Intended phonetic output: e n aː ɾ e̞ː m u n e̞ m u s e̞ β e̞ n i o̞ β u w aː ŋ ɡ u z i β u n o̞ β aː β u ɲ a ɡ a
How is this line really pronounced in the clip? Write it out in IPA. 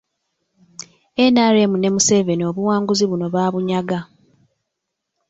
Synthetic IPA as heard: e n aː ɾ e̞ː m u n e̞ m u s e̞ v e̞ n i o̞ β u w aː ŋ ɡ u z i β u n o̞ β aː β u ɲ a ɡ a